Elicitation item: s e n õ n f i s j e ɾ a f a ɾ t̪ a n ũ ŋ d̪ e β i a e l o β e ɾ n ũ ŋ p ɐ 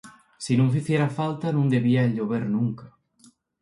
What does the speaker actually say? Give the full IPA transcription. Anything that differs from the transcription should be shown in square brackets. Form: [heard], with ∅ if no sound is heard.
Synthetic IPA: s [i] n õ [ŋ] f i [θ] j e ɾ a f a [l] t̪ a n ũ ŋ d̪ e β i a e [ʎ] o β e ɾ n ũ ŋ [k] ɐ